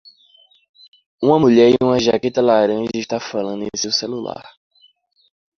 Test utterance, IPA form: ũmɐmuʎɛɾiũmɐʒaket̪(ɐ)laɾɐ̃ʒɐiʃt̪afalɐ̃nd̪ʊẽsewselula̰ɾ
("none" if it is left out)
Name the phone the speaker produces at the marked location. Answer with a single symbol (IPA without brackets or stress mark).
ɐ